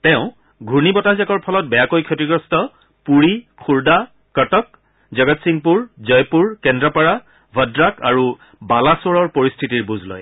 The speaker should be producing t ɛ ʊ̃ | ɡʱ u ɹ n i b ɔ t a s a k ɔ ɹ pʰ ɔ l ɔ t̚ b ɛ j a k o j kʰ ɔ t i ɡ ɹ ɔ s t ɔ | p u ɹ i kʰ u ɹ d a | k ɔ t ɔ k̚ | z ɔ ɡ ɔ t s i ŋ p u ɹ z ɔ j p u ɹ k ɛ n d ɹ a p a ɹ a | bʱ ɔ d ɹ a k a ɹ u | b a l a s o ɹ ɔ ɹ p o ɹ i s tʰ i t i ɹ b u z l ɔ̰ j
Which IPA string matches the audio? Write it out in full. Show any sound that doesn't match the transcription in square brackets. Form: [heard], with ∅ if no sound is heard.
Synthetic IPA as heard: t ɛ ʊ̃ | ɡʱ u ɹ n i b ɔ t a [z] a k ɔ ɹ pʰ ɔ l ɔ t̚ b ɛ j a k o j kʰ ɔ t i ɡ ɹ ɔ s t ɔ | p u ɹ i kʰ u ɹ d a | k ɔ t ɔ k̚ | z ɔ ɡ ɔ t s i ŋ p u ɹ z ɔ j p u ɹ k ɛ n d ɹ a p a ɹ a | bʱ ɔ d ɹ a k a ɹ u | b a l a s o ɹ ɔ ɹ p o ɹ i s tʰ i t i ɹ b u z l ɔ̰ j